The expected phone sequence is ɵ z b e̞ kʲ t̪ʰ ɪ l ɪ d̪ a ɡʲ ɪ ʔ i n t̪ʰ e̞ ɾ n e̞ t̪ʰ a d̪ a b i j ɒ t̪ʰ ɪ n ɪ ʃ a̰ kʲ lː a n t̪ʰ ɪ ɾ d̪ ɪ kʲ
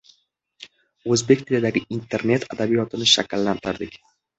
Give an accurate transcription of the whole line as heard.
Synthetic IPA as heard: ɵ z b e̞ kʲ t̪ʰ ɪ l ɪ d̪ a ɡʲ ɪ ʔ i n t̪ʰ e̞ ɾ n e̞ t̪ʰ a d̪ a b i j ɒ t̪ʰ ɪ n ɪ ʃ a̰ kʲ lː a n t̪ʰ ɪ ɾ d̪ ɪ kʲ